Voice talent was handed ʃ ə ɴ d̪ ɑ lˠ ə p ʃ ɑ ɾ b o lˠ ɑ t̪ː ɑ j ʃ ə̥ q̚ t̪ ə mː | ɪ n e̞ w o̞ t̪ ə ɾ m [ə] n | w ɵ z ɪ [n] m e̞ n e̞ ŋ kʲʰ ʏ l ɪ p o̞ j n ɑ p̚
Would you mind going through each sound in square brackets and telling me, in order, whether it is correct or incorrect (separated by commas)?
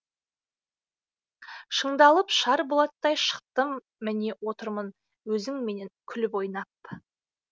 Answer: correct, incorrect